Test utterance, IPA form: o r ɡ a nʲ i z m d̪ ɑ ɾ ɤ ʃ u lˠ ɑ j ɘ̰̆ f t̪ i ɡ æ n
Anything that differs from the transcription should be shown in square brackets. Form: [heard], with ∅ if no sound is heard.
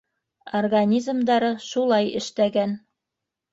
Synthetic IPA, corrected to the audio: o r ɡ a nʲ i z m d̪ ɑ ɾ ɤ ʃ u lˠ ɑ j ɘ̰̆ [ʃ] t̪ [æ] ɡ æ n